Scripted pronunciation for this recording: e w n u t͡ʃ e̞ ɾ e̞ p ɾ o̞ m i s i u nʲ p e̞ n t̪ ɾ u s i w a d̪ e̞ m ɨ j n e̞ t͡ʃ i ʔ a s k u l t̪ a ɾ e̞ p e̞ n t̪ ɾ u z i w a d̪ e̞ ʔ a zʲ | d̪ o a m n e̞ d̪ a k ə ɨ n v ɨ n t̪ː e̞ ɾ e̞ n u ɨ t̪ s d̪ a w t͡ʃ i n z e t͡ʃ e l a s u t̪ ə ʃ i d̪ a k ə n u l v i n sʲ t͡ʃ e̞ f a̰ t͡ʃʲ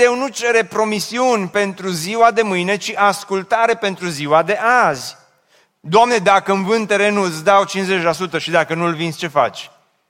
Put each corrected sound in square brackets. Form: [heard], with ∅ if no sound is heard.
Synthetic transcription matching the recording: e w n u t͡ʃ e̞ ɾ e̞ p ɾ o̞ m i s i u nʲ p e̞ n t̪ ɾ u [z] i w a d̪ e̞ m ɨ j n e̞ t͡ʃ i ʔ a s k u l t̪ a ɾ e̞ p e̞ n t̪ ɾ u z i w a d̪ e̞ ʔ a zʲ | d̪ o a m n e̞ d̪ a k ə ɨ n v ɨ n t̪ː e̞ ɾ e̞ n u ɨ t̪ s d̪ a w t͡ʃ i n z e t͡ʃ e l a s u t̪ ə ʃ i d̪ a k ə n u l v i n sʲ t͡ʃ e̞ f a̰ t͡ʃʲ